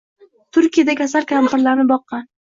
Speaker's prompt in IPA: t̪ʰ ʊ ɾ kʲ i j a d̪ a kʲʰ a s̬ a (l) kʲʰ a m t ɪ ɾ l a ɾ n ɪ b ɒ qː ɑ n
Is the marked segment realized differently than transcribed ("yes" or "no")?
no